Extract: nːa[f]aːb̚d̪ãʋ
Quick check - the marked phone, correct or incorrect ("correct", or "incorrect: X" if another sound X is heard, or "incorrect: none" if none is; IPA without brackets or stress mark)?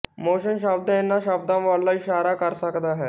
incorrect: ʃ